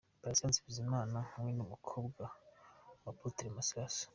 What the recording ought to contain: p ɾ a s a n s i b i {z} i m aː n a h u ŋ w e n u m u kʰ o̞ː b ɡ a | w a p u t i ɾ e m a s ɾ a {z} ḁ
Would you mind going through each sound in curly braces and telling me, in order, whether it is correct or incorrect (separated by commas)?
correct, incorrect